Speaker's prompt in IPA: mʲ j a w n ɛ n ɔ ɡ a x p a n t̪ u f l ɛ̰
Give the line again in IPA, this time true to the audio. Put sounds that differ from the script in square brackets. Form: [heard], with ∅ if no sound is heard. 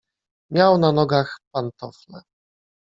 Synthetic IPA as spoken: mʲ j a w n [a] n ɔ ɡ a x p a n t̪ [ɔ] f l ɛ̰